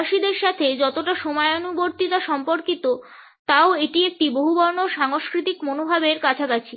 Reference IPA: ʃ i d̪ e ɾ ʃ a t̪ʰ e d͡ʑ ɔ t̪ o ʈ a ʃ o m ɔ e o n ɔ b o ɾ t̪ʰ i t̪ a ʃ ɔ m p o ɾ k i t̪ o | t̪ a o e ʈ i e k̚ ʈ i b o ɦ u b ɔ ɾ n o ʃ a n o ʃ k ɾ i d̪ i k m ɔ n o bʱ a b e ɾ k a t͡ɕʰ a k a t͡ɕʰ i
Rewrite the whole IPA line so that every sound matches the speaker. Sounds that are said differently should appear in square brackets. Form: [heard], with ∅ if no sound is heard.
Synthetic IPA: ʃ i d̪ e ɾ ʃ a t̪ʰ e d͡ʑ ɔ t̪ o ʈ a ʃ o m ɔ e o n [u] b o ɾ [t̪] i t̪ a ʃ ɔ m p o ɾ k i t̪ o | t̪ a o e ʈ i e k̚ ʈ i b o ɦ u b ɔ ɾ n o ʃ a [ŋ] o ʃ k ɾ i [t̪] i k m [o] n o bʱ a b e ɾ k a t͡ɕʰ a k a t͡ɕʰ i